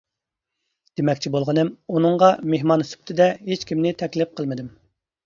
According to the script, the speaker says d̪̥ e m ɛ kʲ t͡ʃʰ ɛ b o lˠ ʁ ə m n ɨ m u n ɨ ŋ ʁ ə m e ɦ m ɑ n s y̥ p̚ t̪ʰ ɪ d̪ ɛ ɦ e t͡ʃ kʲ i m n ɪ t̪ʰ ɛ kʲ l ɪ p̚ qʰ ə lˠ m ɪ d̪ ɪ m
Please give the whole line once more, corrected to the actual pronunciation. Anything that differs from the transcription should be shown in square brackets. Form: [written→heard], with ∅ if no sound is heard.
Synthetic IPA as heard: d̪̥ e m ɛ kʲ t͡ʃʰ [ɛ→i] b o lˠ ʁ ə [m→∅] n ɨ m u n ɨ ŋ ʁ [ə→ɑ] m e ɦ m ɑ n s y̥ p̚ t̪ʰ ɪ d̪ ɛ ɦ e t͡ʃ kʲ i m n ɪ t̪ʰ ɛ kʲ l ɪ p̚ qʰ ə lˠ m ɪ d̪ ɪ m